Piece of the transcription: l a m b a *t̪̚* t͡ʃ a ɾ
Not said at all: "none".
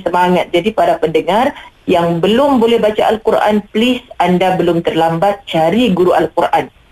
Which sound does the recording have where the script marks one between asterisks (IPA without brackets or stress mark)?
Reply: t̪̚